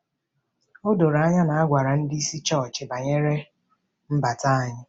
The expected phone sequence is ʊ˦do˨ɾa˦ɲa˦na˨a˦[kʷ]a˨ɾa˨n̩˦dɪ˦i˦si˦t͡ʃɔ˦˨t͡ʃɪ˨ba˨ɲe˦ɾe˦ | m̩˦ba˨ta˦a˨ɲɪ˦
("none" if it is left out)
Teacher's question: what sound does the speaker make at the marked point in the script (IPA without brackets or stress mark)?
ɡʷ